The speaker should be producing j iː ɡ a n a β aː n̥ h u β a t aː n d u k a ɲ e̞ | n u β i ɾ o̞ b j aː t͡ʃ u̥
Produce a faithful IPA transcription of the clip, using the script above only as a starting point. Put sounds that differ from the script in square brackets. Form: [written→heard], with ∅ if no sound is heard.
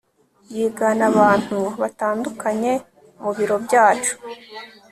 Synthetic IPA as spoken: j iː ɡ a n a β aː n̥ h u β a t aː n d u k a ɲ e̞ | [n→m] u β i ɾ o̞ b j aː t͡ʃ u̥